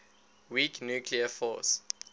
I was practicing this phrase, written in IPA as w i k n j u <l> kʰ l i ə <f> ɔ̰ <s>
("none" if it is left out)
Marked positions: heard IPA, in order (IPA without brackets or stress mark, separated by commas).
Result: none, f, s